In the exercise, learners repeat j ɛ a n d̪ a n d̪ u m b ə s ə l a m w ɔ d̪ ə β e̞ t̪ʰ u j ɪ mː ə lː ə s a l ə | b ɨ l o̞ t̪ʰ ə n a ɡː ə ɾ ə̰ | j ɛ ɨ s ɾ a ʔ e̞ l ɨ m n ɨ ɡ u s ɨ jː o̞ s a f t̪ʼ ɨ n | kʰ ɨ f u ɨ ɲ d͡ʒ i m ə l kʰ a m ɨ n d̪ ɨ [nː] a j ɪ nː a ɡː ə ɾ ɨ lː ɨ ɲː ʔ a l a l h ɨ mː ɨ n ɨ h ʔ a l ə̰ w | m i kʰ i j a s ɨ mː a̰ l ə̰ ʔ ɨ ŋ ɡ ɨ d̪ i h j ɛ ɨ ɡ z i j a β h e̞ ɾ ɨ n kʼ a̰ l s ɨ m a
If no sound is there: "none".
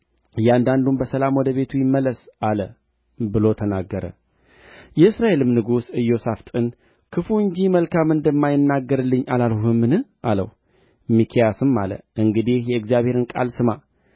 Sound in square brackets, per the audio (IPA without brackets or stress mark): mː